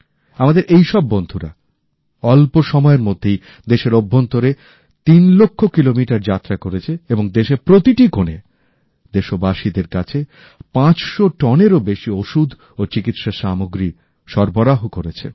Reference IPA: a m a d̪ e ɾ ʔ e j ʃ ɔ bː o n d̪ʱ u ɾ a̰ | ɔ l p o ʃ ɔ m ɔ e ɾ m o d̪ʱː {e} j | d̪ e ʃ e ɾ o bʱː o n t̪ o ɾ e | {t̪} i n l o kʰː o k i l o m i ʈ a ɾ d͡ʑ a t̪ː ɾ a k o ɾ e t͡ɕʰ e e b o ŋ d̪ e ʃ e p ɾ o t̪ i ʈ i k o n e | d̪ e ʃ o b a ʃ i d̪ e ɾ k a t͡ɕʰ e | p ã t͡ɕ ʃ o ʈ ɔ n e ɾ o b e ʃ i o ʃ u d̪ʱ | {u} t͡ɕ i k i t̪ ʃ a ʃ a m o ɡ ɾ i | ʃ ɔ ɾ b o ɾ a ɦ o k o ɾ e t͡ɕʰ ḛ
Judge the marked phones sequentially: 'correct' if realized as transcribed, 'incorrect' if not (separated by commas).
correct, correct, incorrect